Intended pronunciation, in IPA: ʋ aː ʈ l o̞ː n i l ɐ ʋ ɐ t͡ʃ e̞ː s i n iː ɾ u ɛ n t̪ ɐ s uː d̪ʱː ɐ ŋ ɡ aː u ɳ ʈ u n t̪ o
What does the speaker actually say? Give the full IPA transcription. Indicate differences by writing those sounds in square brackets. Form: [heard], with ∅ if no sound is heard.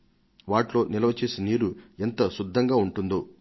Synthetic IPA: ʋ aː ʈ l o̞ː n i l ɐ ʋ ɐ t͡ʃ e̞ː s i n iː ɾ u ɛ n t̪ ɐ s [u] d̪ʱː ɐ ŋ ɡ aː u ɳ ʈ u n [d̪] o